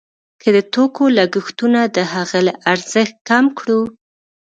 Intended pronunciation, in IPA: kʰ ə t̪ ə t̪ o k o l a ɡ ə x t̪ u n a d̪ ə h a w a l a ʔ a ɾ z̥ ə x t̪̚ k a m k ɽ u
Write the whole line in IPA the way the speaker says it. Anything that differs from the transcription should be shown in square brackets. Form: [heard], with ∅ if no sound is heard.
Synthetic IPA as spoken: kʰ ə [d̪] ə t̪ o k o l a ɡ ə x t̪ u n a d̪ ə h a [ɣ] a l a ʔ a ɾ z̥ ə x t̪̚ k a m k ɽ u